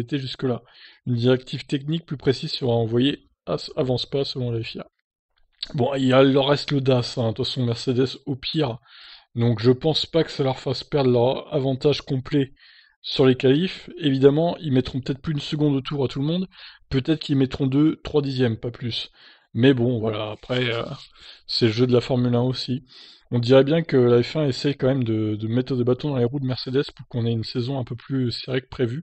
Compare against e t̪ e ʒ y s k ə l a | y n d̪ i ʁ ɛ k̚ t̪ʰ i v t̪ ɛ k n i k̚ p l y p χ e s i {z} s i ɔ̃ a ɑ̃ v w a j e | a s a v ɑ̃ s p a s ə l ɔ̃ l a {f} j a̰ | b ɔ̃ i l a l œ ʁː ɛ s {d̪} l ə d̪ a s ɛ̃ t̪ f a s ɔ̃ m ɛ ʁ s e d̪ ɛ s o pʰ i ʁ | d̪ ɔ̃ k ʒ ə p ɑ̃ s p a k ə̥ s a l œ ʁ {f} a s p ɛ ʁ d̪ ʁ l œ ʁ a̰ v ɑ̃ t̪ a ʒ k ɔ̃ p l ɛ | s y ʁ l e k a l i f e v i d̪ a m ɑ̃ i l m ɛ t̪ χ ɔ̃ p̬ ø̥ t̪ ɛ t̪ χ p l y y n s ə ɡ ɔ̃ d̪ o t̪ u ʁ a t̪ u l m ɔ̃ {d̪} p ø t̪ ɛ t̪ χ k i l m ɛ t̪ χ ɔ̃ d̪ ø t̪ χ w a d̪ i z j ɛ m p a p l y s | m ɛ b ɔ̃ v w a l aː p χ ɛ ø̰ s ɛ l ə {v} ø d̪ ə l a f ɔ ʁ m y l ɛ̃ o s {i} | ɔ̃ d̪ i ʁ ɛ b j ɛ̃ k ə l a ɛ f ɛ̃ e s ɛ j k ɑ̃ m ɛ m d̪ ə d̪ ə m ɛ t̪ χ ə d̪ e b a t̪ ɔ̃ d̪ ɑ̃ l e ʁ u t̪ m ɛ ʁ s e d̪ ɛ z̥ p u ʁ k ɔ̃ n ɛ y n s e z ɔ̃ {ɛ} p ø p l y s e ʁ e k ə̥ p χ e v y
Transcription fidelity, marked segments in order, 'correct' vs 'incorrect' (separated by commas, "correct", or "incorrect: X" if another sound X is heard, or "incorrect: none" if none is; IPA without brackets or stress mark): correct, correct, incorrect: t̪, correct, correct, incorrect: ʒ, correct, incorrect: ɛ̃